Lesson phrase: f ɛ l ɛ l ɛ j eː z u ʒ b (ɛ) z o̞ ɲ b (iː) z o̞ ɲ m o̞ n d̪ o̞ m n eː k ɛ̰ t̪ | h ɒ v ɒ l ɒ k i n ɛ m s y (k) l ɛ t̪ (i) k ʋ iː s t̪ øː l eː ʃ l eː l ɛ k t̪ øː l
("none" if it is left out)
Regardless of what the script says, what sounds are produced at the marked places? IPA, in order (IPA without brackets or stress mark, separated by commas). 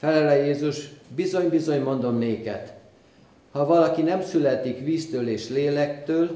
i, i, none, i